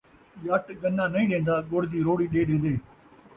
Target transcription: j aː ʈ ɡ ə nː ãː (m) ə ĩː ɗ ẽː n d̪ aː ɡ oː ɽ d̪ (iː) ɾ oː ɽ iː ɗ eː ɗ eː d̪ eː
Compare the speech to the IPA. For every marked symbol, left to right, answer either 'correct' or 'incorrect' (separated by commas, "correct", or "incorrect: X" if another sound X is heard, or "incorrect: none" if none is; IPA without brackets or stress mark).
incorrect: n, correct